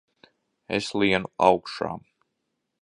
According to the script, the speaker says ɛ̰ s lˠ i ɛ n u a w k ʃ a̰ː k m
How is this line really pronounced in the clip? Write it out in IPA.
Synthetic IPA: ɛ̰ s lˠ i ɛ n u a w k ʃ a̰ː m